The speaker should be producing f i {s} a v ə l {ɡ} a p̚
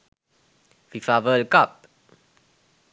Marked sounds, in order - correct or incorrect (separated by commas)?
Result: incorrect, incorrect